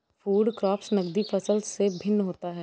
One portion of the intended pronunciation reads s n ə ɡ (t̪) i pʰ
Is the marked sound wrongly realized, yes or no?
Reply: yes